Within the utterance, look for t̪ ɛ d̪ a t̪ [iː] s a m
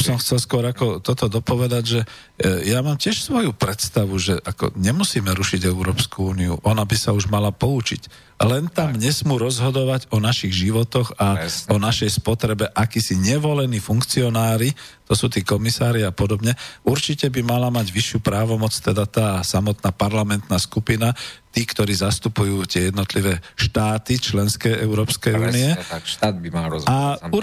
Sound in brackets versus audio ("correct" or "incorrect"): incorrect